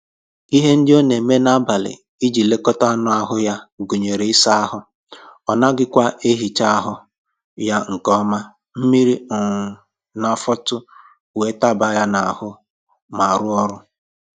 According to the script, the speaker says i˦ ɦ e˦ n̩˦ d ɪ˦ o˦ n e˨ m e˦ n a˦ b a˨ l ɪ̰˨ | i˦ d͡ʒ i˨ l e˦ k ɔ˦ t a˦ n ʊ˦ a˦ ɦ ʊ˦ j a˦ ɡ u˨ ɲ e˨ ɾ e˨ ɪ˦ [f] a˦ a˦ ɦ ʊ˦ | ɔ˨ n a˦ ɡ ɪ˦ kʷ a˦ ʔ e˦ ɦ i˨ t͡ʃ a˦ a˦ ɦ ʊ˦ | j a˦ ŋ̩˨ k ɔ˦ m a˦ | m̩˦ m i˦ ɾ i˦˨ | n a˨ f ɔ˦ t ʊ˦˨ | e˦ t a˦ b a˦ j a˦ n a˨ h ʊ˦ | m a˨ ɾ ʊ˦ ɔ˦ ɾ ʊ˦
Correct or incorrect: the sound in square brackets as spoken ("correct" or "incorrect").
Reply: incorrect